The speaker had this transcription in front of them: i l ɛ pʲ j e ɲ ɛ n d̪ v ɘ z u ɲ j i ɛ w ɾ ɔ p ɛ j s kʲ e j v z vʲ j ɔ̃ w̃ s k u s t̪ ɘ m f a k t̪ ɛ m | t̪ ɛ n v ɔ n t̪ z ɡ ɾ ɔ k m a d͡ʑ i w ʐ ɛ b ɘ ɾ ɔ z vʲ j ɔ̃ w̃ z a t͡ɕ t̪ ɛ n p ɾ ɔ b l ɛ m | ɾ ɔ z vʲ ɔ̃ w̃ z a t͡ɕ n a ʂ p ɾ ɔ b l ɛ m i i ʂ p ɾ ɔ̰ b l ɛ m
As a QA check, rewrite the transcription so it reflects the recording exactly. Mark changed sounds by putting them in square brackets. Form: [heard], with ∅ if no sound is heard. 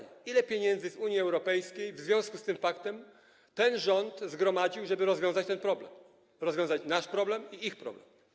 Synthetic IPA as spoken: i l ɛ pʲ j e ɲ ɛ n d̪ [z] ɘ z u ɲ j i ɛ w ɾ ɔ p ɛ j s kʲ e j v z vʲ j ɔ̃ w̃ s k u s t̪ ɘ m f a k t̪ ɛ m | t̪ ɛ n [ʐ] ɔ n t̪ z ɡ ɾ ɔ [∅] m a d͡ʑ i w ʐ ɛ b ɘ ɾ ɔ z vʲ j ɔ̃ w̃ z a t͡ɕ t̪ ɛ n p ɾ ɔ b l ɛ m | ɾ ɔ z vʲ ɔ̃ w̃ z a t͡ɕ n a ʂ p ɾ ɔ b l ɛ m i i [x] p ɾ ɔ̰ b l ɛ m